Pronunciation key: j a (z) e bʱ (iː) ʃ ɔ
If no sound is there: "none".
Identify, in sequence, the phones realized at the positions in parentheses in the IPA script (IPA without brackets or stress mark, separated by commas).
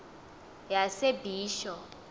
s, iː